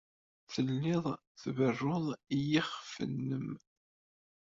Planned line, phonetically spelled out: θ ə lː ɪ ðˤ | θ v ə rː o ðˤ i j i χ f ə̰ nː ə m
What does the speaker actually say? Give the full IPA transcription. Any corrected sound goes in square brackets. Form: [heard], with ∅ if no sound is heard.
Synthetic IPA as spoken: θ ə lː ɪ ðˤ | θ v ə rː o ðˤ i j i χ f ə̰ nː ə m